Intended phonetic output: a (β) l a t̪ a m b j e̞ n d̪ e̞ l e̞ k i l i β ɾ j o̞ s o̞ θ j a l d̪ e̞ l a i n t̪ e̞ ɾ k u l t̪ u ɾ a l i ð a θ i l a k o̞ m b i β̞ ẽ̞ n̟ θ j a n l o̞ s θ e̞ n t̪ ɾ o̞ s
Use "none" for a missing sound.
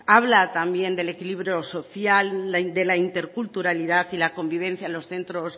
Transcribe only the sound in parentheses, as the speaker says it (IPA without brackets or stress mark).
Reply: β